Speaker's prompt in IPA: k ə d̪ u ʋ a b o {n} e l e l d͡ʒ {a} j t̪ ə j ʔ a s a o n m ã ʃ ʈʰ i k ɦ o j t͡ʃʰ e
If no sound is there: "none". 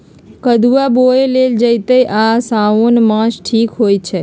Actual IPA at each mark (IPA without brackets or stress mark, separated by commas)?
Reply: none, ə